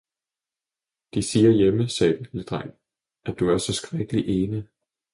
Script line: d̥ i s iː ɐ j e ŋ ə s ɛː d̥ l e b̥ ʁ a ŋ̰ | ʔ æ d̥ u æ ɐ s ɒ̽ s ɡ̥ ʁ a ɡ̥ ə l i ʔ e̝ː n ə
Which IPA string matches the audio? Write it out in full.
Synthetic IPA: d̥ i s iː ɐ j e m ə s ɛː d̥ l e d̥ ʁ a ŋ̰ | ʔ æ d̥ u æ ɐ s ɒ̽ s ɡ̥ ʁ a ɡ̥ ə l i ʔ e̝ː n ə